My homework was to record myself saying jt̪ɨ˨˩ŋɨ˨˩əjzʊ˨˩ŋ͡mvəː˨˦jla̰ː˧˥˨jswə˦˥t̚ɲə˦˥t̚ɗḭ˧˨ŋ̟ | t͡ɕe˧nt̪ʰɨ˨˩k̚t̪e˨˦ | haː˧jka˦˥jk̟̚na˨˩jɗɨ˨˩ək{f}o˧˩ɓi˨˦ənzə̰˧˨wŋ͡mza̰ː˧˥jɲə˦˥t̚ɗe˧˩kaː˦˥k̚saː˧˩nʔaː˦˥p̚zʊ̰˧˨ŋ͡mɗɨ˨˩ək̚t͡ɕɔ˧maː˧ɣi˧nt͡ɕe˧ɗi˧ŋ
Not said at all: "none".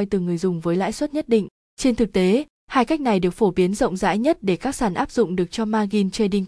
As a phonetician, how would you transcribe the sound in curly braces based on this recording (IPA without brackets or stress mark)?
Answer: f